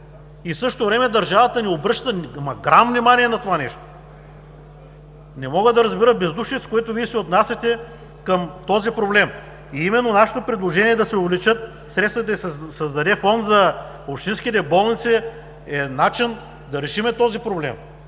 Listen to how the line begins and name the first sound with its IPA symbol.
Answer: i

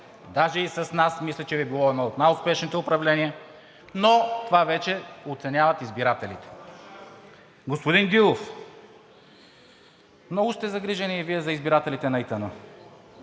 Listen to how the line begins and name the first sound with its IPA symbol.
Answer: d̪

